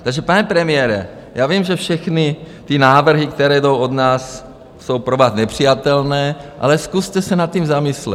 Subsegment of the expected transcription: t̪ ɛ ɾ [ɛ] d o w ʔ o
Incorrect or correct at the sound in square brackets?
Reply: incorrect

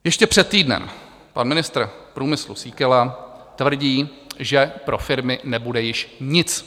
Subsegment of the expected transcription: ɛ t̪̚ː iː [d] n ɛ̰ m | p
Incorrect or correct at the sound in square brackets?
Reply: correct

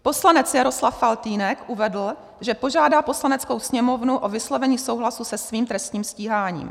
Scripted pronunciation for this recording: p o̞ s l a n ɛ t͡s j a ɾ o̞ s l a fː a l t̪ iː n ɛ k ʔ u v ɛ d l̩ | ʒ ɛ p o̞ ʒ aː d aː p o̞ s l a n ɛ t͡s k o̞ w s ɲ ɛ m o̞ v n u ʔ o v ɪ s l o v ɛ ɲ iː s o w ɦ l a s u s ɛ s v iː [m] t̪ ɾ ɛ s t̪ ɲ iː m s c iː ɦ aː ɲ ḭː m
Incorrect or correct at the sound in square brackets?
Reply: correct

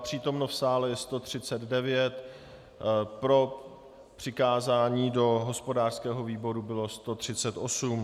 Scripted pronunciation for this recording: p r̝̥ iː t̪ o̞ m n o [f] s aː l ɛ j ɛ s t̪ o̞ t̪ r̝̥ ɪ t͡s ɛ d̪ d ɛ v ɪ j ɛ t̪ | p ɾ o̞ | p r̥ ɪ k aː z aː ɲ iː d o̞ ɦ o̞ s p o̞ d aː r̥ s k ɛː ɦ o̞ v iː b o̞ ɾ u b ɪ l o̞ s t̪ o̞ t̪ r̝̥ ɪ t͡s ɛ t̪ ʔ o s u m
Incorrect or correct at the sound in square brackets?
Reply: correct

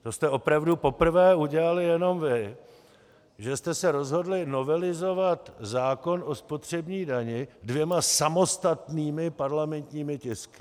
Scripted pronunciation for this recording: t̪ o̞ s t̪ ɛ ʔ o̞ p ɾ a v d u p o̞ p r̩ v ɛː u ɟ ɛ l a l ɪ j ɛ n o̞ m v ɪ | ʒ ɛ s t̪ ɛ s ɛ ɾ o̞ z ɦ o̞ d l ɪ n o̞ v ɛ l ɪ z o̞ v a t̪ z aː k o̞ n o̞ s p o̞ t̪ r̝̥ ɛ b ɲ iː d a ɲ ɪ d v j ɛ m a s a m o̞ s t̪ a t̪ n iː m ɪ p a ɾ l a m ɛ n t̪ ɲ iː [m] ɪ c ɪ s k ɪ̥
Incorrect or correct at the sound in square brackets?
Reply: correct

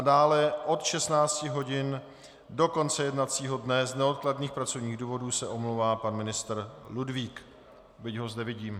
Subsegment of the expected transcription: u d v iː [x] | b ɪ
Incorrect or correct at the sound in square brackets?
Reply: incorrect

